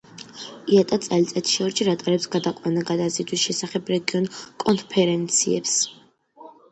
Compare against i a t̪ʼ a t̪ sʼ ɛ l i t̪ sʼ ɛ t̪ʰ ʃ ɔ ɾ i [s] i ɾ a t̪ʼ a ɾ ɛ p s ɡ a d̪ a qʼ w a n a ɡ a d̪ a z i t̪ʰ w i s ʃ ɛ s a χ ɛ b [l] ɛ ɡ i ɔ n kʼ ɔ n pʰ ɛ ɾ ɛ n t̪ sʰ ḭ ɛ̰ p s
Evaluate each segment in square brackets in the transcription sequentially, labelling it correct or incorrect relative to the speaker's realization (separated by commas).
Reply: incorrect, incorrect